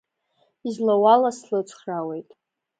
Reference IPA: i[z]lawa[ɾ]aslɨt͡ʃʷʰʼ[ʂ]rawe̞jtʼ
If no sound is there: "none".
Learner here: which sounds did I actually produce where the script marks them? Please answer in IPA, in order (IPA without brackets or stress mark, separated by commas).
z, l, χ